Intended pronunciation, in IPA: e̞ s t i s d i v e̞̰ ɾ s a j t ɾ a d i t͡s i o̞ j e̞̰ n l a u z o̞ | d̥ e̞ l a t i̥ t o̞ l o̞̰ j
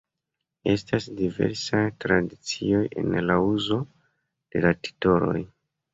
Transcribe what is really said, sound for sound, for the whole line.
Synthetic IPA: e̞ s t a s d i v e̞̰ ɾ s a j t ɾ a d i t͡s i o̞ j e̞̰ n l a u z o̞ | d̥ e̞ l a t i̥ t o̞ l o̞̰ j